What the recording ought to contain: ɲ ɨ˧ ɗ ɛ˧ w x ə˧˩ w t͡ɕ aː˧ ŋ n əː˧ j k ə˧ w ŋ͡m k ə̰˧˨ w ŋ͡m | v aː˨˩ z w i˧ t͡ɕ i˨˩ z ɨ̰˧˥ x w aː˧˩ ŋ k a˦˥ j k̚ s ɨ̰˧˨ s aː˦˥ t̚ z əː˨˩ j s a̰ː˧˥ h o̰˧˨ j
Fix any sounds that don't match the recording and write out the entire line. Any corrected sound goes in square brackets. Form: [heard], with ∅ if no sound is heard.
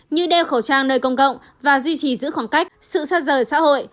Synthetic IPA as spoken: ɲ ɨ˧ ɗ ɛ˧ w x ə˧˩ w t͡ɕ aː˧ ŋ n əː˧ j k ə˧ w ŋ͡m k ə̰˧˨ w ŋ͡m | v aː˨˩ z w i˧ t͡ɕ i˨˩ z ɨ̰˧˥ x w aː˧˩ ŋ k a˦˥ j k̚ s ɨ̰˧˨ s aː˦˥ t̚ z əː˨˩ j s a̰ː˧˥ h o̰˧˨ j